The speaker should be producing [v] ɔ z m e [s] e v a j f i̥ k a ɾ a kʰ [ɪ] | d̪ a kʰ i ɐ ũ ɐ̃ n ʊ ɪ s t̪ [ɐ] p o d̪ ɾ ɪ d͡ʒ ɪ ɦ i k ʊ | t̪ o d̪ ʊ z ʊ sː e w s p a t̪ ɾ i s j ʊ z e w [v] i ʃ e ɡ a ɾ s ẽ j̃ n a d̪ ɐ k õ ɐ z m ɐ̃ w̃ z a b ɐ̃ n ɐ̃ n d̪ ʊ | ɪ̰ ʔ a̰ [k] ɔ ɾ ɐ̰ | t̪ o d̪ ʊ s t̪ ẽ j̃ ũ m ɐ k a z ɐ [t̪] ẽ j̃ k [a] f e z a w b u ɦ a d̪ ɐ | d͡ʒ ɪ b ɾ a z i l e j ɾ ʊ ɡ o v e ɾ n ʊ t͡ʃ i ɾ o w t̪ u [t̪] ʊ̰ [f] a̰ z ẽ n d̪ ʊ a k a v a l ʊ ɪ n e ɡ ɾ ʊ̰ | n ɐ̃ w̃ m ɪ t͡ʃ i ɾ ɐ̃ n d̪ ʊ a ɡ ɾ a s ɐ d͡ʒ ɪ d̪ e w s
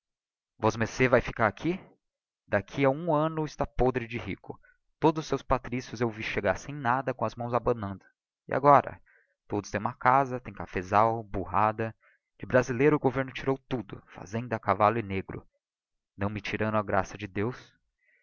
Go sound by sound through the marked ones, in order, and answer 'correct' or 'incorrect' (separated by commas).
correct, correct, incorrect, incorrect, correct, incorrect, correct, correct, incorrect, correct